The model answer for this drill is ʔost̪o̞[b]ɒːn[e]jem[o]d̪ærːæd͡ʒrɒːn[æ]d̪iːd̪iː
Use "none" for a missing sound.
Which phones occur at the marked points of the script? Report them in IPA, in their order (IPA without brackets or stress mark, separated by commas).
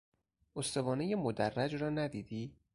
v, e, o, æ